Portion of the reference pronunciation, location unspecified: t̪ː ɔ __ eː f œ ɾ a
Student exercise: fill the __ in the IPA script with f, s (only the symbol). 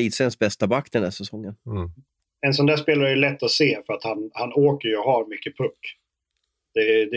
s